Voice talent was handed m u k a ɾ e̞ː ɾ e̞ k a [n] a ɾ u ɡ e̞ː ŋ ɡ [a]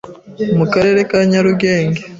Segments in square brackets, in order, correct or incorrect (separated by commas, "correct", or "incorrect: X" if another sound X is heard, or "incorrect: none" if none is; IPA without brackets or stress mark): incorrect: ɲ, incorrect: e